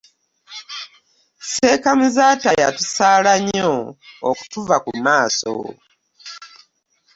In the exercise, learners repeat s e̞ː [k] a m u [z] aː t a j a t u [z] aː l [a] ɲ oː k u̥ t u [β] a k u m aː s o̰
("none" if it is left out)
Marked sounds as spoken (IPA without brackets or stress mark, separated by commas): k, z, s, a, v